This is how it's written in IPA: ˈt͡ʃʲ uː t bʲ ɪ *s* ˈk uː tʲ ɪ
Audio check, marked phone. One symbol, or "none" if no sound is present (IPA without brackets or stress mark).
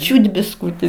s